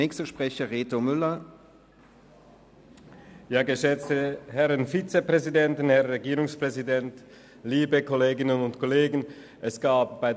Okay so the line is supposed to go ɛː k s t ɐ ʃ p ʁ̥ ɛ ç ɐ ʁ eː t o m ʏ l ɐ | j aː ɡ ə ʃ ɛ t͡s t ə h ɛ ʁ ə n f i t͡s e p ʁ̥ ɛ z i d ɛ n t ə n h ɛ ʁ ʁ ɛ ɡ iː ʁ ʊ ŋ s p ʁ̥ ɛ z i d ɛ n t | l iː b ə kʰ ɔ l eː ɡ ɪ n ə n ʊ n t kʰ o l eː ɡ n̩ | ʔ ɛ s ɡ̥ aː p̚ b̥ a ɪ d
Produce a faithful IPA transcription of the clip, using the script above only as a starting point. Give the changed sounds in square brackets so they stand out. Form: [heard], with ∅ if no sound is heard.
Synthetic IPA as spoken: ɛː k s t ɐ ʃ p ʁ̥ ɛ ç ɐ ʁ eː t o m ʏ l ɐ | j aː ɡ ə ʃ ɛ t͡s t ə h ɛ ʁ ə n f i t͡s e p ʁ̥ ɛ z i d ɛ n t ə n h ɛ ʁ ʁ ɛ ɡ iː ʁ ʊ ŋ s p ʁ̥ ɛ z i d ɛ n t | l iː b ə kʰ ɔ l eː ɡ ɪ n ə n ʊ n t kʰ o l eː ɡ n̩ | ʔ ɛ s ɡ̥ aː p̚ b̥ a ɪ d